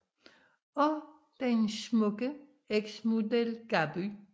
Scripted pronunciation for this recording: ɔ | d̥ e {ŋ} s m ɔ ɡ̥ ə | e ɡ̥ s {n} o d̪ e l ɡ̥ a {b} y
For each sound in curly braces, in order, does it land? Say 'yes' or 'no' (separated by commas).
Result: no, no, yes